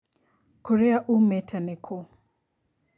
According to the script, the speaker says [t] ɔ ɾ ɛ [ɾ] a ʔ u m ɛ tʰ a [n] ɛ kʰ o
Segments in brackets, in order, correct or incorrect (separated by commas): incorrect, incorrect, correct